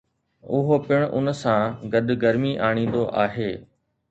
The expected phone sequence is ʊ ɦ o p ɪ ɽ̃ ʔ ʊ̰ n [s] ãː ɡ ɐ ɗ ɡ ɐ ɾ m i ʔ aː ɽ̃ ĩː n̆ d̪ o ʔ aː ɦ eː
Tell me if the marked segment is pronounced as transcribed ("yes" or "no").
yes